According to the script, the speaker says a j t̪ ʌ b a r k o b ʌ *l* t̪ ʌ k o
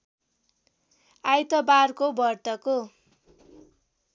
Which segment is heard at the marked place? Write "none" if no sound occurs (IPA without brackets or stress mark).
r